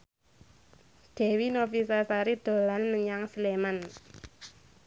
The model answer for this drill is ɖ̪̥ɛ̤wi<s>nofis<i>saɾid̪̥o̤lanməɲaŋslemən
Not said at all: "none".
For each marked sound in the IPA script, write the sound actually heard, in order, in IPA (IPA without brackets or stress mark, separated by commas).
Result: none, a